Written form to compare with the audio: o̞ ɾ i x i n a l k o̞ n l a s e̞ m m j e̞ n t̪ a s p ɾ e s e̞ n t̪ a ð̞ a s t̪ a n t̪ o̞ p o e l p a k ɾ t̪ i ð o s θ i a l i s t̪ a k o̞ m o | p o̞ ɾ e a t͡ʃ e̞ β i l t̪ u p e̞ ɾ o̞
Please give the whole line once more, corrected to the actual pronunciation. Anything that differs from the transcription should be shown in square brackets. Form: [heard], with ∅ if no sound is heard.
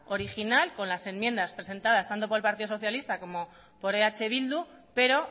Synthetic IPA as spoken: o̞ ɾ i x i n a l k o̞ n l a s e̞ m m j e̞ n [d̪] a s p ɾ e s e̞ n t̪ a ð̞ a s t̪ a n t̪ o̞ p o e l p a [∅] ɾ t̪ i ð o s θ [j] a l i s t̪ a k o̞ m o | p o̞ ɾ e a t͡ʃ e̞ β i l [d̪] u p e̞ ɾ o̞